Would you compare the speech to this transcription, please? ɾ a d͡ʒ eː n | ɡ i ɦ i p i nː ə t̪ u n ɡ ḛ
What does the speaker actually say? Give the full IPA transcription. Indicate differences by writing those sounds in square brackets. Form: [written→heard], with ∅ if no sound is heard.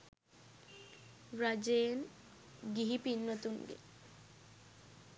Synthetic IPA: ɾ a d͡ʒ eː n | ɡ i ɦ i p i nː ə t̪ u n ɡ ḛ